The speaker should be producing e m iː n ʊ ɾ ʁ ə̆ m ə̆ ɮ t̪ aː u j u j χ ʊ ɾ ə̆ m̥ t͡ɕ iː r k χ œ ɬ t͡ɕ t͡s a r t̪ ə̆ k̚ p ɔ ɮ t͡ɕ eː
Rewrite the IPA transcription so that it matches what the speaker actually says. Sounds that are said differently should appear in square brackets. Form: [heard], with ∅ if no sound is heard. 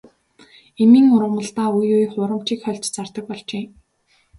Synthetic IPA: e m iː [ŋ] ʊ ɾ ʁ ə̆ m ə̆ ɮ t̪ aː u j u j χ ʊ ɾ ə̆ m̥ t͡ɕ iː [∅] k χ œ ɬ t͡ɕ t͡s a r t̪ ə̆ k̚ p ɔ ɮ t͡ɕ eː